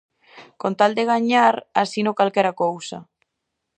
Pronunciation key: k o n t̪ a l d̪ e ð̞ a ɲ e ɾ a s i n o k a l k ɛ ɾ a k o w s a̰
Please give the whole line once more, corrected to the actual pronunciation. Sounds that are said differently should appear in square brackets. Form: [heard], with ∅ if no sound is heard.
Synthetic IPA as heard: k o n t̪ a l d̪ e [ɣ̞] a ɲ [a] ɾ a s i n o k a l k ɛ ɾ a k o w s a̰